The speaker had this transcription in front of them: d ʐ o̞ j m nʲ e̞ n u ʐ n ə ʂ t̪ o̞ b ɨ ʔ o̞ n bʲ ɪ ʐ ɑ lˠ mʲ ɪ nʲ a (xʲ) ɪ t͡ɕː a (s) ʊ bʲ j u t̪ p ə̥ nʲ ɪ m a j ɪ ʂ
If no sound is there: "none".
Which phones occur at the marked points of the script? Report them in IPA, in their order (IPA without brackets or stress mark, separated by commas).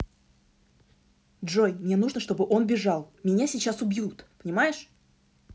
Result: sʲ, s